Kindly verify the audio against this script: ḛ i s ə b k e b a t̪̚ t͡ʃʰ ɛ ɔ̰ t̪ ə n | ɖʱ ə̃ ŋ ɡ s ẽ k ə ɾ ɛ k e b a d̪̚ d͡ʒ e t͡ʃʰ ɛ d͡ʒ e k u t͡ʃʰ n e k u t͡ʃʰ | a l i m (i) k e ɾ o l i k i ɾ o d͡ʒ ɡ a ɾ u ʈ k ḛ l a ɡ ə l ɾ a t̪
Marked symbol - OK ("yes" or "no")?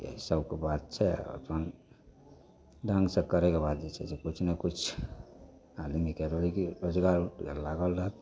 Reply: yes